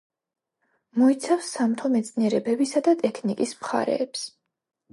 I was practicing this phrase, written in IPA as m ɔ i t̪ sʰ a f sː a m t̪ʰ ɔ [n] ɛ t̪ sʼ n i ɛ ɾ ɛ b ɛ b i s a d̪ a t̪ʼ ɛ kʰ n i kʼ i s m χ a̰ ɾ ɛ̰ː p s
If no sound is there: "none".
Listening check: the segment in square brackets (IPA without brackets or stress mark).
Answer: m